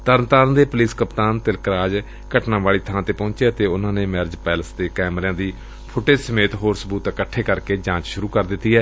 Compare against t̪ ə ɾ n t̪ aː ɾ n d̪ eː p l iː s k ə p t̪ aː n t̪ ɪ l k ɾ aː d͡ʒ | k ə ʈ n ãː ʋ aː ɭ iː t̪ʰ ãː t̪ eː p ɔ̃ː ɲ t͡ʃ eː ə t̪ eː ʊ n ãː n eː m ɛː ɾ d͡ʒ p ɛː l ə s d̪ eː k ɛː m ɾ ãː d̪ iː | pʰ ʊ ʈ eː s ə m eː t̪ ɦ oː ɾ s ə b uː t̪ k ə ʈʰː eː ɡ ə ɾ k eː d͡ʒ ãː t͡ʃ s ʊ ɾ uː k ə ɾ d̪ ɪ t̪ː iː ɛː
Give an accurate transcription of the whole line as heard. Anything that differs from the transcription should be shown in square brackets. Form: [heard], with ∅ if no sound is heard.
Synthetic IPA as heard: t̪ ə ɾ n t̪ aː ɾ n d̪ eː p l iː s k ə p t̪ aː n t̪ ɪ l k ɾ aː d͡ʒ | k ə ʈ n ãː ʋ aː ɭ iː t̪ʰ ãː t̪ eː p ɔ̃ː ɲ t͡ʃ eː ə t̪ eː ʊ n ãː n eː m ɛː ɾ d͡ʒ p ɛː l ə s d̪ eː k ɛː m ɾ ãː d̪ iː | pʰ ʊ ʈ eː s ə m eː t̪ ɦ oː ɾ s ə b uː t̪ k ə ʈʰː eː [k] ə ɾ k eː d͡ʒ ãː t͡ʃ [ʃ] ʊ ɾ uː k ə ɾ d̪ ɪ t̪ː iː ɛː

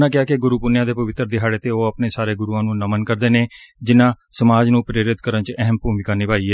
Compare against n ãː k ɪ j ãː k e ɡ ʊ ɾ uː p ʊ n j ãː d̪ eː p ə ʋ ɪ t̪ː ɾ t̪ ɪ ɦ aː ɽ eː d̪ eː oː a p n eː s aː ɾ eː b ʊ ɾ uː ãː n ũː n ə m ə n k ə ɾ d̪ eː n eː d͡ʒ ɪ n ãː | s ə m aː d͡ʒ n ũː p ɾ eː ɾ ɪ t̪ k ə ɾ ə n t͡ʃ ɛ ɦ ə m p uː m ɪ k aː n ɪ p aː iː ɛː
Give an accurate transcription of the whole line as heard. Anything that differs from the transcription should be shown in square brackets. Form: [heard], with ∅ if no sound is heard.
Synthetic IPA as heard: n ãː k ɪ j [aː] k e ɡ ʊ ɾ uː p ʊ n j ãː d̪ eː p ə ʋ ɪ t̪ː ɾ [d̪] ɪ ɦ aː ɽ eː [t̪] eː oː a p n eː s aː ɾ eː [ɡ] ʊ ɾ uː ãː n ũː n ə m ə n k ə ɾ d̪ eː n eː d͡ʒ ɪ n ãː | s ə m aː d͡ʒ n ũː p ɾ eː ɾ ɪ t̪ k ə ɾ ə n t͡ʃ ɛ ɦ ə m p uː m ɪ k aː n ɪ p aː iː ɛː

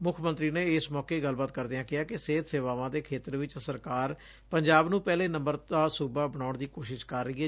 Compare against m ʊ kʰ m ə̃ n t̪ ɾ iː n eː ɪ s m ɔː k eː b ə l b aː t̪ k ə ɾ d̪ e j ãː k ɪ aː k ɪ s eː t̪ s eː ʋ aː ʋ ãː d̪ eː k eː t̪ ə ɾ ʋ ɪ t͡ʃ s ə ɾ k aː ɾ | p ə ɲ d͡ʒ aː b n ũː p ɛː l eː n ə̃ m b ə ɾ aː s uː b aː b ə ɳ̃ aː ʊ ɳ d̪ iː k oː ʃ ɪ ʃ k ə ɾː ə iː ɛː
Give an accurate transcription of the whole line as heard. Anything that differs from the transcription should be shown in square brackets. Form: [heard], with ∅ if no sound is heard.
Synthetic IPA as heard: m ʊ kʰ m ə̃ n t̪ ɾ iː n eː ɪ s m ɔː k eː [ɡ] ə l b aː t̪ k ə ɾ d̪ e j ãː k ɪ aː k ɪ s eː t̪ s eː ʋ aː ʋ ãː d̪ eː [kʰ] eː t̪ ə ɾ ʋ ɪ t͡ʃ s ə ɾ k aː ɾ | p ə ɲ d͡ʒ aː b n ũː p ɛː l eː n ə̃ m b ə ɾ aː s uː b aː b ə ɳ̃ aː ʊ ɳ d̪ iː k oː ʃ ɪ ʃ k ə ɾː ə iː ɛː

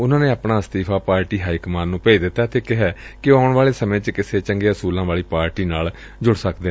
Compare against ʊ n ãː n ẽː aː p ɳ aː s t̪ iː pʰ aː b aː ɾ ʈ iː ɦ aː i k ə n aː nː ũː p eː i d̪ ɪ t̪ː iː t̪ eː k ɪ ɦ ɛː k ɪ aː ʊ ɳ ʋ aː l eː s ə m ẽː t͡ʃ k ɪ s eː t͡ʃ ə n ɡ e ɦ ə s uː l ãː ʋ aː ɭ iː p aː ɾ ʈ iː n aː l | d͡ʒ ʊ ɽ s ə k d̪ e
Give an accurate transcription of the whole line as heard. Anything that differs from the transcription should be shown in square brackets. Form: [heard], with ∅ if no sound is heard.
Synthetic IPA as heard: ʊ n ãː n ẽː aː p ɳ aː s t̪ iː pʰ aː [p] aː ɾ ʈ iː ɦ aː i k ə [m] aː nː ũː p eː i d̪ ɪ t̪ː [aː] t̪ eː k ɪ ɦ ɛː k ɪ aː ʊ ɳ ʋ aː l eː s ə m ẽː t͡ʃ k ɪ s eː t͡ʃ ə [ŋ] ɡ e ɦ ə s uː l ãː ʋ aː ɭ iː p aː ɾ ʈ iː n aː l | d͡ʒ ʊ ɽ s ə k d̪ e

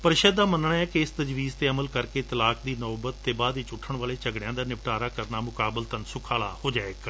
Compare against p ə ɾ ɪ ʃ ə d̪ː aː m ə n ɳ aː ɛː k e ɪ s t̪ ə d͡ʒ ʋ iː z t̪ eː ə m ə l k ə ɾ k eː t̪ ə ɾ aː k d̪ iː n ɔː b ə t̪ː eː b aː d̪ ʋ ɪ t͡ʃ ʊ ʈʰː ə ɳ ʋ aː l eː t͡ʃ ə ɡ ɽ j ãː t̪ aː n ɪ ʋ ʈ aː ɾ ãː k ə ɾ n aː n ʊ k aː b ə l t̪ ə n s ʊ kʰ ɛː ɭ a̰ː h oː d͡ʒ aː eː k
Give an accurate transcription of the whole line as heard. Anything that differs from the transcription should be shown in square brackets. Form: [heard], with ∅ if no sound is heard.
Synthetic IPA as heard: p ə ɾ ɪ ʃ ə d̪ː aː m ə n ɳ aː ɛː k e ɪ s t̪ ə d͡ʒ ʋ iː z t̪ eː ə m ə l k ə ɾ k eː t̪ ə [l] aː k d̪ iː n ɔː b ə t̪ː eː b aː d̪ ʋ ɪ t͡ʃ ʊ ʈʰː ə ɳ ʋ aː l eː t͡ʃ ə ɡ ɽ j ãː [d̪] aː n ɪ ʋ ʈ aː ɾ [aː] k ə ɾ n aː [m] ʊ k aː b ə l t̪ ə n s ʊ kʰ [aː] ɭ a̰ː h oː d͡ʒ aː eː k

